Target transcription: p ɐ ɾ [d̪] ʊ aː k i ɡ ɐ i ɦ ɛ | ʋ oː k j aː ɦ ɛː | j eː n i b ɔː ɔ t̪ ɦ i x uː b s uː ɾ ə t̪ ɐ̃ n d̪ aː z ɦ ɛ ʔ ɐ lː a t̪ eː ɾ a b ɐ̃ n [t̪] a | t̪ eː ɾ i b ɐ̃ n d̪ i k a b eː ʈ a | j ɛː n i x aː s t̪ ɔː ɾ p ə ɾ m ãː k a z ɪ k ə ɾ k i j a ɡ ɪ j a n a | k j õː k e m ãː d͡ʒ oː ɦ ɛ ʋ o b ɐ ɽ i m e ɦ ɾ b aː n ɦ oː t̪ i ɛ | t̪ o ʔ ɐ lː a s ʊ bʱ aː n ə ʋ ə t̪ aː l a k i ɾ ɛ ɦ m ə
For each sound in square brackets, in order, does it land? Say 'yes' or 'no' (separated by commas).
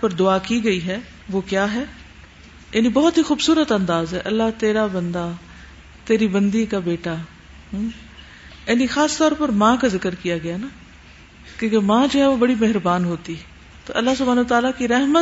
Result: yes, no